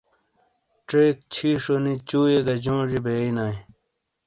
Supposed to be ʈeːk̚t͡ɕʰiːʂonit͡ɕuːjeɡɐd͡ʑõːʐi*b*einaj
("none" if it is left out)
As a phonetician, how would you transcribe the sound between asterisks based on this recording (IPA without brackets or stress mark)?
b